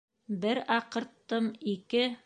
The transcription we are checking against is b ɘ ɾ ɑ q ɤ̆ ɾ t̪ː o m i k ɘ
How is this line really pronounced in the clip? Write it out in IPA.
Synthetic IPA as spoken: b ɘ ɾ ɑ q ɤ̆ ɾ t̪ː ɤ m i k ɘ